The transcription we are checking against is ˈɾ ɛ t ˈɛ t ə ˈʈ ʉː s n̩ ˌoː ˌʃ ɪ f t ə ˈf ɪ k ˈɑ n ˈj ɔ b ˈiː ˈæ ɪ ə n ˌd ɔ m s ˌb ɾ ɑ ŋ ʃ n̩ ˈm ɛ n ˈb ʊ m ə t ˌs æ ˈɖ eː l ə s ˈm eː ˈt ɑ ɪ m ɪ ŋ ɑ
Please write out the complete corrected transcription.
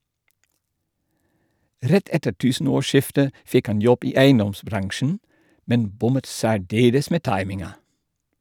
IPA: ˈɾ ɛ t ˈɛ t ə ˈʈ ʉː s n̩ ˌoː ˌʃ ɪ f t ə ˈf ɪ k ˈɑ n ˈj ɔ b ˈiː ˈæ ɪ ə n ˌd ɔ m s ˌb ɾ ɑ ŋ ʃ n̩ ˈm ɛ n ˈb ʊ m ə t ˌs æː ˈɖ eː l ə s ˈm eː ˈt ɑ ɪ m ɪ ŋ ɑ